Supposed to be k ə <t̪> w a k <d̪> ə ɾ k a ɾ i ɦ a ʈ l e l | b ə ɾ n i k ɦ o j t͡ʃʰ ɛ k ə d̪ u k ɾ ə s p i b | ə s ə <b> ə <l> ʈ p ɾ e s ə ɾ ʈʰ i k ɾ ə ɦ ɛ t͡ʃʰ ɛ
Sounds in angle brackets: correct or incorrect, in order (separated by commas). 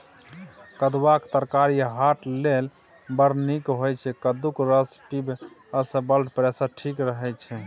incorrect, incorrect, correct, correct